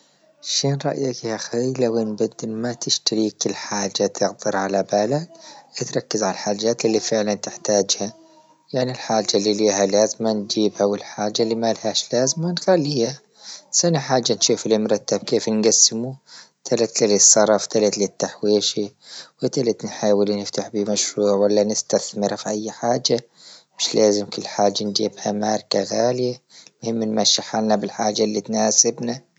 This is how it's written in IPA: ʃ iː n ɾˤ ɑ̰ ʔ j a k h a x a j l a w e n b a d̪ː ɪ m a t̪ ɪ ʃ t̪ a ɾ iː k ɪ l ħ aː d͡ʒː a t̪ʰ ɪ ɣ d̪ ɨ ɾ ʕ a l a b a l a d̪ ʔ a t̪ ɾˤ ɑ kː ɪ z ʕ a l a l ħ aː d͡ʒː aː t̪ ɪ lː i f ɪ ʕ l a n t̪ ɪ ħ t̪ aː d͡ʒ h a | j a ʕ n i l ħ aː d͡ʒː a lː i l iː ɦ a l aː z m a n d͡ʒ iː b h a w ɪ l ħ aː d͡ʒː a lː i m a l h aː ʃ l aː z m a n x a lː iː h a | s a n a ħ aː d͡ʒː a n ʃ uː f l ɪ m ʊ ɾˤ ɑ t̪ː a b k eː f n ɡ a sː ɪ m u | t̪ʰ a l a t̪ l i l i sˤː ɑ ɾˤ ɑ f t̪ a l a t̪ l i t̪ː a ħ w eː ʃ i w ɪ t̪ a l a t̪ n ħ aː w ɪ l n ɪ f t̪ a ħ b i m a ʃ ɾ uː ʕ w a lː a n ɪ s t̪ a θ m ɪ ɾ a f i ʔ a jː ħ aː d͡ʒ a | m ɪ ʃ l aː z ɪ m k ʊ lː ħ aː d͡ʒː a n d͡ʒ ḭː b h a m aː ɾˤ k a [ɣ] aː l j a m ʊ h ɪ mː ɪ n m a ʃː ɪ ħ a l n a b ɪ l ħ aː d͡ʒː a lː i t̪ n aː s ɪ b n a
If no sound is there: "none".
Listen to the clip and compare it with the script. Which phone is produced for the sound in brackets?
ɣ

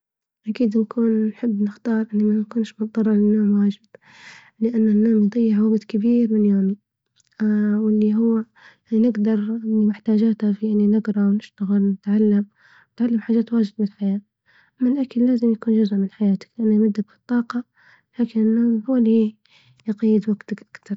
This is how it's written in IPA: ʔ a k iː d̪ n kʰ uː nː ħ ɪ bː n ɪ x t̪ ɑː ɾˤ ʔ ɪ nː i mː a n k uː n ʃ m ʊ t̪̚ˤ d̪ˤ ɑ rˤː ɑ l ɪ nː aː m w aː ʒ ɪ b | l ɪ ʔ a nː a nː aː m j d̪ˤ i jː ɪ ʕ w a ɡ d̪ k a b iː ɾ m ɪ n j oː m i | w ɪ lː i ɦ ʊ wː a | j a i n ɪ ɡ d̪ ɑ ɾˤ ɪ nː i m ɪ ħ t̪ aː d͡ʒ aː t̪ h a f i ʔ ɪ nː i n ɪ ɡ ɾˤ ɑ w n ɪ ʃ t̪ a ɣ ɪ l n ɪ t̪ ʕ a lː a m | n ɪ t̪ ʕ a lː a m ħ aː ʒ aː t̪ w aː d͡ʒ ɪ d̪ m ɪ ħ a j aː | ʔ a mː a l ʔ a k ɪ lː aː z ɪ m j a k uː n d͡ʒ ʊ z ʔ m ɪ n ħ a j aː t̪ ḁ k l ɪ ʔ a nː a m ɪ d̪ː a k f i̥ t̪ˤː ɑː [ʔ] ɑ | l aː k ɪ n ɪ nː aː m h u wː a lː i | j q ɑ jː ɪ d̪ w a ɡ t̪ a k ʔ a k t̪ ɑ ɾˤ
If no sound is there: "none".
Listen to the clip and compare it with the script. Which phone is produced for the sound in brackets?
q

